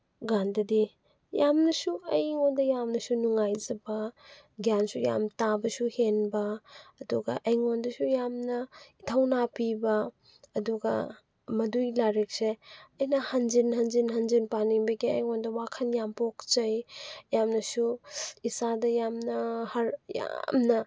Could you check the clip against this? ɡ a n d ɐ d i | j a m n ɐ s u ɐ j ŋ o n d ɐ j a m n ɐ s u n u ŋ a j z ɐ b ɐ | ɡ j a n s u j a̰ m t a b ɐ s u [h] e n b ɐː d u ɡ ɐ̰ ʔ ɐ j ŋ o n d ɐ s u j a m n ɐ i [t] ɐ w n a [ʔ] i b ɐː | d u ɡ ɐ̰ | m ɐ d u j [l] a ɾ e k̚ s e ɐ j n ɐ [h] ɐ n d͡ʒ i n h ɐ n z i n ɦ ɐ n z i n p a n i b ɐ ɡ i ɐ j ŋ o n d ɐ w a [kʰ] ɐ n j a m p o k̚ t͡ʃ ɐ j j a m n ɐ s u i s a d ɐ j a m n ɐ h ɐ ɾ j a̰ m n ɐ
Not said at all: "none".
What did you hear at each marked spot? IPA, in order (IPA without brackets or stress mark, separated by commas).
h, tʰ, p, l, h, kʰ